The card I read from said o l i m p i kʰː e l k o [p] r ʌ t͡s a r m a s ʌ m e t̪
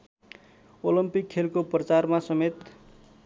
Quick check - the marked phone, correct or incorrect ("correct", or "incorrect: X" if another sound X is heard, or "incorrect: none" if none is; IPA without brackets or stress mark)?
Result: correct